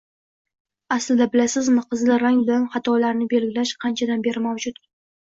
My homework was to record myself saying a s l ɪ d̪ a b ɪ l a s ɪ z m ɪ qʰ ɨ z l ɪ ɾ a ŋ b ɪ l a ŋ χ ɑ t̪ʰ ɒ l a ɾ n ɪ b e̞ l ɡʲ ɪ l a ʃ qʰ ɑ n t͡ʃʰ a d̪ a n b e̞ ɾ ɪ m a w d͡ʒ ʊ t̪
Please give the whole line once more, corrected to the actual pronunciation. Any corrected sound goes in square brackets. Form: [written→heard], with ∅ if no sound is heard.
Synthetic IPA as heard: a s l ɪ d̪ a b ɪ l a s ɪ z m ɪ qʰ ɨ z l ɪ ɾ a ŋ b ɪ l a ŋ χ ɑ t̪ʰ ɒ l a ɾ n ɪ b e̞ l ɡʲ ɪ l a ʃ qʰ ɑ n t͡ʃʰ a d̪ a n b e̞ ɾ ɪ m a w d͡ʒ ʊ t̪